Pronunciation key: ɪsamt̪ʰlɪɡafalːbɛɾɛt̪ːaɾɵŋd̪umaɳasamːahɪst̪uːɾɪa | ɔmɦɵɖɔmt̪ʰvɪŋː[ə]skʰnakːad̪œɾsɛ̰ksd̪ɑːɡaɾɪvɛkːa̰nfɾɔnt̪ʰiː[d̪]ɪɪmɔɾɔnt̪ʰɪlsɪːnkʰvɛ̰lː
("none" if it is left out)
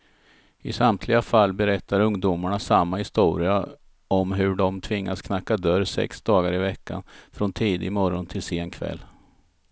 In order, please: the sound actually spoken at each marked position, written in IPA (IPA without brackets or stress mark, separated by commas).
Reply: a, d̪